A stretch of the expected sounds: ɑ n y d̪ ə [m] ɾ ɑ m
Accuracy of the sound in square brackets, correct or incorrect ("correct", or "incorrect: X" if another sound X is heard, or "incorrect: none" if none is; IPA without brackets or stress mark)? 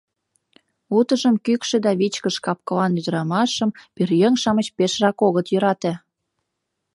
incorrect: none